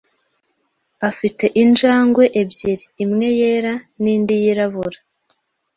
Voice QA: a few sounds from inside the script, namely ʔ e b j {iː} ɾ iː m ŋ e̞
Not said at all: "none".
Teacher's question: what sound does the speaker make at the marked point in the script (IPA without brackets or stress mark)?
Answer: i